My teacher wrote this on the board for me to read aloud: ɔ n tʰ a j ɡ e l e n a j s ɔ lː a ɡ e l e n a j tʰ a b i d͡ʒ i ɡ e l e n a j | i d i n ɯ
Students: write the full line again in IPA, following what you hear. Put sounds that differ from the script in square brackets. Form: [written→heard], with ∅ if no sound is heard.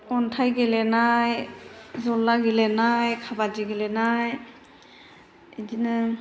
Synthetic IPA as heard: ɔ n tʰ a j ɡ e l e n a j [s→z] ɔ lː a ɡ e l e n a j [tʰ→kʰ] a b [i→a] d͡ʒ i ɡ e l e n a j | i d i n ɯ